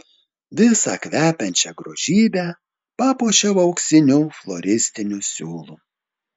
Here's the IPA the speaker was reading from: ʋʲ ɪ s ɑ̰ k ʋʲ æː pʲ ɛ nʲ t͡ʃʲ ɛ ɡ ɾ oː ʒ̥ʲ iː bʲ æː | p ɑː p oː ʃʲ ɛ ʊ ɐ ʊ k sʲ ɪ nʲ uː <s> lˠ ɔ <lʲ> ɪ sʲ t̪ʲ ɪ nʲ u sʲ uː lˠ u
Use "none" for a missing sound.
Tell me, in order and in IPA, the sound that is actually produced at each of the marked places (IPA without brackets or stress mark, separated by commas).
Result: f, ɾʲ